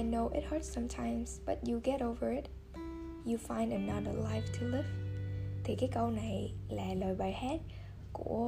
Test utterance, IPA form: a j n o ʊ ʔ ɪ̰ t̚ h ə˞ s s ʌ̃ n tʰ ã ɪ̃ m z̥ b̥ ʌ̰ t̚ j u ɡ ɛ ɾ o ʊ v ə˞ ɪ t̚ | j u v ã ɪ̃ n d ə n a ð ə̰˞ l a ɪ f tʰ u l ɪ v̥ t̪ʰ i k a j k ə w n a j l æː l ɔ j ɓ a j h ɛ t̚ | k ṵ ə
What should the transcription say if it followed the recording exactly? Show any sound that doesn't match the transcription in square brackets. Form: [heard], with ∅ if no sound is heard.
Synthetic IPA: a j n o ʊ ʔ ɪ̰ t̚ h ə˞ [t] s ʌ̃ [m] tʰ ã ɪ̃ m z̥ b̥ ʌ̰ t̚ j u ɡ ɛ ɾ o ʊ v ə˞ ɪ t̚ | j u [f] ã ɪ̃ n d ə n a ð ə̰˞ l a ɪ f tʰ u l ɪ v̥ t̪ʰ i k a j k ə w n a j l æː l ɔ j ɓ a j h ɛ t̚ | k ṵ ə